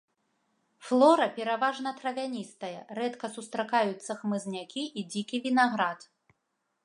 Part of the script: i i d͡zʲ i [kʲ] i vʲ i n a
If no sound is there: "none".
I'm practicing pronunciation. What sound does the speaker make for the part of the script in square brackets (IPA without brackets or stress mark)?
kʲ